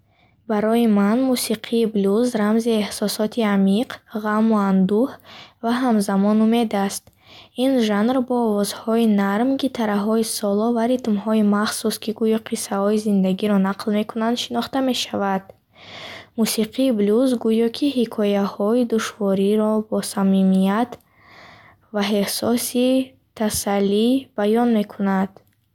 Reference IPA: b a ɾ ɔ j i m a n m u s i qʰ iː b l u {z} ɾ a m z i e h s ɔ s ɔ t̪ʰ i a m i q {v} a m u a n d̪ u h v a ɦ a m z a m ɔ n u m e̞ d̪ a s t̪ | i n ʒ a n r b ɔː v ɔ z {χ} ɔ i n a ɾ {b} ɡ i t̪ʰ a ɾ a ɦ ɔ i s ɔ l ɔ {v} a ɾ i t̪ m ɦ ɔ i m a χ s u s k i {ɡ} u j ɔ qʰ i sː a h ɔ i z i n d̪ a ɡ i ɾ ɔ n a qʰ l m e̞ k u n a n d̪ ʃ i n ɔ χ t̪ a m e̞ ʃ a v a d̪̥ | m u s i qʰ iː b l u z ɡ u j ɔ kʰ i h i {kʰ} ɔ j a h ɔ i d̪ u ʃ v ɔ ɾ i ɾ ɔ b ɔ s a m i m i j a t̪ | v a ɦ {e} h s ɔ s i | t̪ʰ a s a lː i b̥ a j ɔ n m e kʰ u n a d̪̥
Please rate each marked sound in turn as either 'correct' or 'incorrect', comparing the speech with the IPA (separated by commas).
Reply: correct, incorrect, incorrect, incorrect, correct, correct, correct, correct